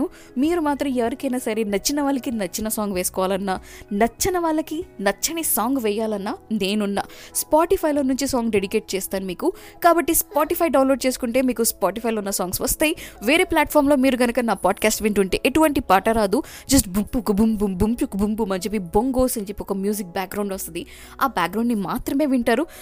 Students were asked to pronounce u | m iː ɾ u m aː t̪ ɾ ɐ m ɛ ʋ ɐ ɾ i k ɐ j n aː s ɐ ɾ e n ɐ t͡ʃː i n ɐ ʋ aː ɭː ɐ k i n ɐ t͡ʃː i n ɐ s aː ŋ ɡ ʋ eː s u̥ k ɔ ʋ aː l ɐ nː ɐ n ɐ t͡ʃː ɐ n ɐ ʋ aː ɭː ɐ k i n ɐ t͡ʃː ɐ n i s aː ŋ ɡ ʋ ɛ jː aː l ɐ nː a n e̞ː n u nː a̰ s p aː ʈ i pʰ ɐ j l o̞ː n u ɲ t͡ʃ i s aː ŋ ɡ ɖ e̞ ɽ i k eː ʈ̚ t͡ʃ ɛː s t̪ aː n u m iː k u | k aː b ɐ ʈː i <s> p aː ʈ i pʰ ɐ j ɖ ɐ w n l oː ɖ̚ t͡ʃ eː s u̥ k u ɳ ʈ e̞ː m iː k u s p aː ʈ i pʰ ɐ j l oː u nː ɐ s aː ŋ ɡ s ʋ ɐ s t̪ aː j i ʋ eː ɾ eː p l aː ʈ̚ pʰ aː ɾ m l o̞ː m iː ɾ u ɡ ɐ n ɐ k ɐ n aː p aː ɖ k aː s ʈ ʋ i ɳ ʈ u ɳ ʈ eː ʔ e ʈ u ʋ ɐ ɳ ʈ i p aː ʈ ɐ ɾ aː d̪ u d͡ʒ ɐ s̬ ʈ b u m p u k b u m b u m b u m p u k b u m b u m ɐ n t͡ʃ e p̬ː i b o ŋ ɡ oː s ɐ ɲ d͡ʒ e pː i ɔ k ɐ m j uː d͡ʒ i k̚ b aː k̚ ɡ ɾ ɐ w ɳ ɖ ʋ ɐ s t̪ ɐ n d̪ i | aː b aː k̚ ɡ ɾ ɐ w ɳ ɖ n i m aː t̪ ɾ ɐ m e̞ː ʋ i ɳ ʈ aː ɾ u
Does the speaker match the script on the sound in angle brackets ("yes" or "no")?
yes